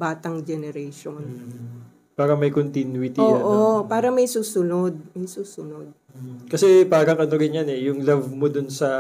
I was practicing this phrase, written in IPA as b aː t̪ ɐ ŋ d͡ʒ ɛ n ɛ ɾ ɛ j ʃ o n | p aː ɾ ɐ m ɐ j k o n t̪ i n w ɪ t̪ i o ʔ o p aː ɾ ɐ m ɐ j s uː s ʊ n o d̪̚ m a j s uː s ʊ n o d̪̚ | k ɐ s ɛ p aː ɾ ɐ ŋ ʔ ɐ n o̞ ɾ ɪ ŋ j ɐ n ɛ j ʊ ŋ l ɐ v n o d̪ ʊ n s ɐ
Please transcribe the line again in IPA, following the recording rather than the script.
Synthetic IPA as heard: b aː t̪ ɐ ŋ d͡ʒ ɛ n ɛ ɾ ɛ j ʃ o n | p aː ɾ ɐ m ɐ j k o n t̪ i n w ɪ t̪ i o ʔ o p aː ɾ ɐ m ɐ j s uː s ʊ n o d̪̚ m ɐ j s uː s ʊ n o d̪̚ | k ɐ s ɛ p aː ɾ ɐ ŋ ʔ ɐ n o̞ ɾ ɪ n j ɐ n ɛ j ʊ ŋ l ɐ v m o d̪ ʊ n s ɐ